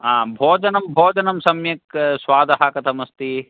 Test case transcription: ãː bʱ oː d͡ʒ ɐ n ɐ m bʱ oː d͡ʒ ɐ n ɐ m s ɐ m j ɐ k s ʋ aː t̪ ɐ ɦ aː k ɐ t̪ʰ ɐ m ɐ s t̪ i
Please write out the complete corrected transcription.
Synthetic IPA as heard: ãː bʱ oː d͡ʒ ɐ n ɐ m bʱ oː d͡ʒ ɐ n ɐ m s ɐ m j ɐ k s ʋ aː d̪ ɐ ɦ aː k ɐ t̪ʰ ɐ m ɐ s t̪ i